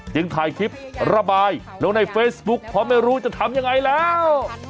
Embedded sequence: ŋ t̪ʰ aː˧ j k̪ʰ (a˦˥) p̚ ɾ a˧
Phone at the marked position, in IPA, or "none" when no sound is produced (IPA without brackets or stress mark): i˦˥